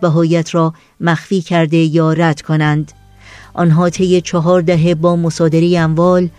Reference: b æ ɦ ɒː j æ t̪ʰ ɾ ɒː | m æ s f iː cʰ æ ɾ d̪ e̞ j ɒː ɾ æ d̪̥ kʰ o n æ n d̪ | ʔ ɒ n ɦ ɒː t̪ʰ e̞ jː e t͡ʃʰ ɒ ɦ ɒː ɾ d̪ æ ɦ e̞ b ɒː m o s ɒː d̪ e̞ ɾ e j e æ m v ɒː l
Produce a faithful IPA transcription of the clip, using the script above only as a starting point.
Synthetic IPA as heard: b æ ɦ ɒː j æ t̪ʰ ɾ ɒː | m æ x f iː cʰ æ ɾ d̪ e̞ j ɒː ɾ æ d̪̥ kʰ o n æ n d̪ | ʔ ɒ n ɦ ɒː t̪ʰ e̞ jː e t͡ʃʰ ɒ ɦ ɒː ɾ d̪ æ ɦ e̞ b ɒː m o s ɒː d̪ e̞ ɾ e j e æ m v ɒː l